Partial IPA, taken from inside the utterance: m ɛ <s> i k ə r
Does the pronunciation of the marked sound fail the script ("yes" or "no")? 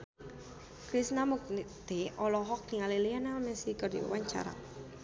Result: no